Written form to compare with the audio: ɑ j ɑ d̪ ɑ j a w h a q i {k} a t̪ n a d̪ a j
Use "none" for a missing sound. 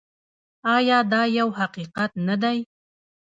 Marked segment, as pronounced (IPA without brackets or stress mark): q